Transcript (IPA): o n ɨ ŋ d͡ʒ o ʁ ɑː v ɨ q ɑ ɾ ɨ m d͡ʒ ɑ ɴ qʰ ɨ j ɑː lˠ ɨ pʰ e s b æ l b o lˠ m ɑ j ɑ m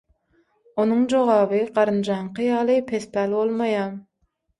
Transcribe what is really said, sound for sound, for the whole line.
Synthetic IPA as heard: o n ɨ ŋ d͡ʒ o ʁ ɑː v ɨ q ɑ ɾ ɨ n d͡ʒ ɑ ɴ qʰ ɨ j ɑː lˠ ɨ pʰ e s p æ l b o lˠ m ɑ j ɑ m